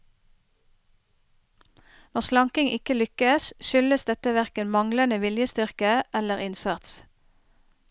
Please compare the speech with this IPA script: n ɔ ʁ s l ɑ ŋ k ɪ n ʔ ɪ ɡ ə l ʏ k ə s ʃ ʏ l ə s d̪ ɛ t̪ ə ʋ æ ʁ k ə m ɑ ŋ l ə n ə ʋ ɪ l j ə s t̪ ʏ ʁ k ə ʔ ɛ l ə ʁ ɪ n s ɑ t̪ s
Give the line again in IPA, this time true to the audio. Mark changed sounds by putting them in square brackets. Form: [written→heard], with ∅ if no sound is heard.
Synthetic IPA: n ɔ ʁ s l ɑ ŋ k ɪ [n→ŋ] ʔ ɪ [ɡ→k] ə l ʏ k ə s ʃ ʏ l ə s d̪ ɛ t̪ ə ʋ æ ʁ k ə m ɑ ŋ l ə n ə ʋ ɪ l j ə s t̪ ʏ ʁ k ə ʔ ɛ l ə ʁ ɪ n s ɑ t̪ s